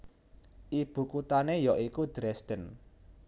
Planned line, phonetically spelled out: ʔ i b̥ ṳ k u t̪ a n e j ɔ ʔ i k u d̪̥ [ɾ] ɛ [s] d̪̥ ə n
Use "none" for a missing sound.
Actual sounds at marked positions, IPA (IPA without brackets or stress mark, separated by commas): ɾ, s